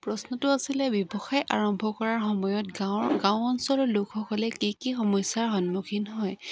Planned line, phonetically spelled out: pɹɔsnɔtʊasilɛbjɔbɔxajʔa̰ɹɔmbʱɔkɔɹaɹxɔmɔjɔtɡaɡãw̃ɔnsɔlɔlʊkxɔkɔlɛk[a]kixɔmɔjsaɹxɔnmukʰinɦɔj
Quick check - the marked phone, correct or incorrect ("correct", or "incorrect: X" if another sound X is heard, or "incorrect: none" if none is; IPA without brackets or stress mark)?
incorrect: i